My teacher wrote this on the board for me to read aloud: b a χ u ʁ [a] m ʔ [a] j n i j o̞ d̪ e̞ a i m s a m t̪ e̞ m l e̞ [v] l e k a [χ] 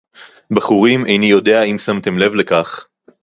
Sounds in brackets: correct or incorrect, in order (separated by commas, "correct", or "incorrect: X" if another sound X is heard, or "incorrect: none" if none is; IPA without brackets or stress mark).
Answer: incorrect: i, incorrect: e, correct, correct